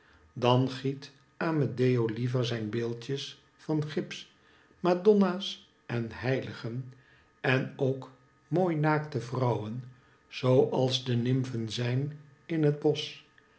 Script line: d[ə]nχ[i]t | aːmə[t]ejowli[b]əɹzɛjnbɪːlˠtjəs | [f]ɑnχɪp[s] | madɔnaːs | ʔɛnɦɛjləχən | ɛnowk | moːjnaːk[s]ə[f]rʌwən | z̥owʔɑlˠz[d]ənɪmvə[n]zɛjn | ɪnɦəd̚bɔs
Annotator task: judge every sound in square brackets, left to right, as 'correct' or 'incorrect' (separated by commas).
incorrect, correct, incorrect, incorrect, correct, correct, incorrect, incorrect, correct, correct